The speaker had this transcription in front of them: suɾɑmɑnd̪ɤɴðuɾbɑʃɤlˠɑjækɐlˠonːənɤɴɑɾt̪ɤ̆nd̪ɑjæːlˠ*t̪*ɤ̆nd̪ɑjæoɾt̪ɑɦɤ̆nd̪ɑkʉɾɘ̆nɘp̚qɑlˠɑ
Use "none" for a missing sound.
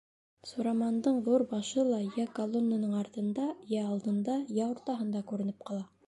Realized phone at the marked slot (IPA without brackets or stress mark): d̪